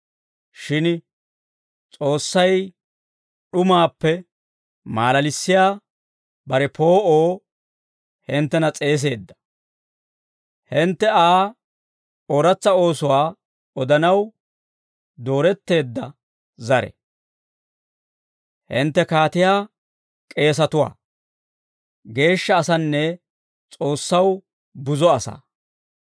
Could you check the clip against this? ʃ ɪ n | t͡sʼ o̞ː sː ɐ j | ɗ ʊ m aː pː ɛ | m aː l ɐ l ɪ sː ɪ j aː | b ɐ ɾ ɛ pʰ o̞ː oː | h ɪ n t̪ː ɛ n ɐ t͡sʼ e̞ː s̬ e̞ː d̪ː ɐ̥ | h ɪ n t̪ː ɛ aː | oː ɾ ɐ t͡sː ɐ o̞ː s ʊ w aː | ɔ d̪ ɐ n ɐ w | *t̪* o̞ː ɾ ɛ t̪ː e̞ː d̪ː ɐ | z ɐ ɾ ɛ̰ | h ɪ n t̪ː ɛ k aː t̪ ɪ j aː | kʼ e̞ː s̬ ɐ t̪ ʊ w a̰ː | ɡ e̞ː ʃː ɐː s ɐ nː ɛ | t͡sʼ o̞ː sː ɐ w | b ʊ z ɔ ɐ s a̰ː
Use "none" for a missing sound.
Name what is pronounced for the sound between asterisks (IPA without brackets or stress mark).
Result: d̪